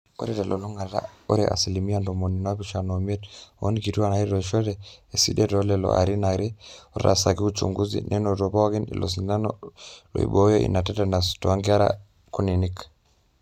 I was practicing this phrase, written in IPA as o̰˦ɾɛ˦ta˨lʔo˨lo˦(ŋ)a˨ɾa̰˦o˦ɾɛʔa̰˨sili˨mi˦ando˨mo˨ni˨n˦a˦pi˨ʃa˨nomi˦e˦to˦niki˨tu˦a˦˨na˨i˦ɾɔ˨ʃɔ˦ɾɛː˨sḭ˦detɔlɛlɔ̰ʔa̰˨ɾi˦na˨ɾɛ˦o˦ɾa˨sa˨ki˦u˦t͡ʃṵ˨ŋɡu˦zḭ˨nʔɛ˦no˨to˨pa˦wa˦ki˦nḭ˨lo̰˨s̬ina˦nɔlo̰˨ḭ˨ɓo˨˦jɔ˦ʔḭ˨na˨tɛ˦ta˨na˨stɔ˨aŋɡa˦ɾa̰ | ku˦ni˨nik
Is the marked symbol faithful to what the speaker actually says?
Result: yes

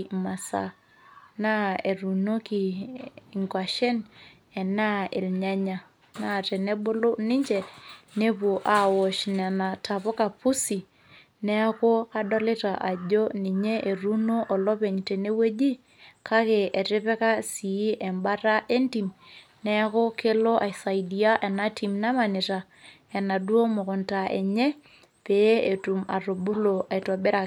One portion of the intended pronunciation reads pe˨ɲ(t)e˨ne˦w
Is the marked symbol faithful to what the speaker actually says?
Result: yes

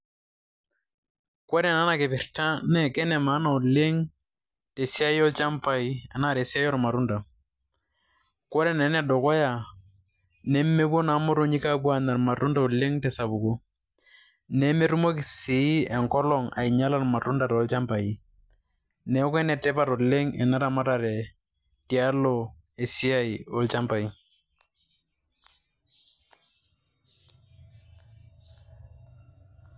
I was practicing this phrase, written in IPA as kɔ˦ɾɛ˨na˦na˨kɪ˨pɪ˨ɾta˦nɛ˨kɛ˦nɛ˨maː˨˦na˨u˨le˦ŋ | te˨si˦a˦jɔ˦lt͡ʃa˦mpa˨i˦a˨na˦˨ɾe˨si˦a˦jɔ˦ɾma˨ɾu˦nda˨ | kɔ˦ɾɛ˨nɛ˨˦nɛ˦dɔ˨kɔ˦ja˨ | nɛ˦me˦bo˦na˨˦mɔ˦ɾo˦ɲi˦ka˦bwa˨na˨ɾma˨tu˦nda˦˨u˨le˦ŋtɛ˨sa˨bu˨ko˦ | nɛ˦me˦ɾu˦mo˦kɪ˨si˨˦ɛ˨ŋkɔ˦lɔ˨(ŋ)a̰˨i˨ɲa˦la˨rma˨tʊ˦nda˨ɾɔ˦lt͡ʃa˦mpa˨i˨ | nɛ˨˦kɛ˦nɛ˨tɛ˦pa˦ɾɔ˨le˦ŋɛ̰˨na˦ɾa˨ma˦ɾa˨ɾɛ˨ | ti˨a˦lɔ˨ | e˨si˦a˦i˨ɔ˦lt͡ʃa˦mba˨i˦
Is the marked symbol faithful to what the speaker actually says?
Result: yes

